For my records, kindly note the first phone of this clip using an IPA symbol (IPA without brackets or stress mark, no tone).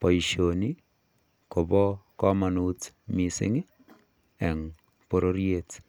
p